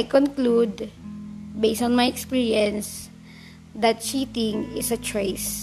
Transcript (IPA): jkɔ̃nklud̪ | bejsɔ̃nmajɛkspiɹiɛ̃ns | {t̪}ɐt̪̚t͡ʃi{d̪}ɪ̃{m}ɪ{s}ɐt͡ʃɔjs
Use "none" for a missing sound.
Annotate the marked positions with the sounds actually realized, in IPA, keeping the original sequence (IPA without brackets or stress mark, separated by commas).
d̪, t̪, ŋ, s